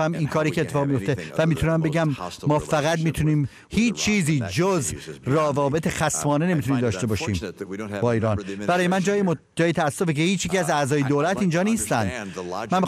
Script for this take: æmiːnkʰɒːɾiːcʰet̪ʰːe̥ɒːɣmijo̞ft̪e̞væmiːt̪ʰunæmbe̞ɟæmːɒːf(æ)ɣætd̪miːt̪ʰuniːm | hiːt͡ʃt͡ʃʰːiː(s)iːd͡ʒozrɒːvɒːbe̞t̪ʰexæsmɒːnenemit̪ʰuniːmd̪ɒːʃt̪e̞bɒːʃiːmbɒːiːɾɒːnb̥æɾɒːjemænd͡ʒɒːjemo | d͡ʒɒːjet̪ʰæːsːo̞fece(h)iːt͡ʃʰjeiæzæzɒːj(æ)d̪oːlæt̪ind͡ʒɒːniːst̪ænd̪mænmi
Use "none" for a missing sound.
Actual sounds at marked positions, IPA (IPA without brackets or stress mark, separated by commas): æ, z, h, e